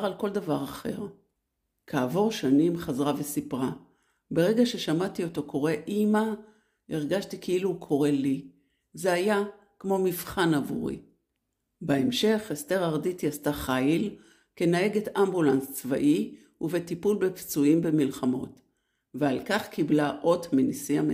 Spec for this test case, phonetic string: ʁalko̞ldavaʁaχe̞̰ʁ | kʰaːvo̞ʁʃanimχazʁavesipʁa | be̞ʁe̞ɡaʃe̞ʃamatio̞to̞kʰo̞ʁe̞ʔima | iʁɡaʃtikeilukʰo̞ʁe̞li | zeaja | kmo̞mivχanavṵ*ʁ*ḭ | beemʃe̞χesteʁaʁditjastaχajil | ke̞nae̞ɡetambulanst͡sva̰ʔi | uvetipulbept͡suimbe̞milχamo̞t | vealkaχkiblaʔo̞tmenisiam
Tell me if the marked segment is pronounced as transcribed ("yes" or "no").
yes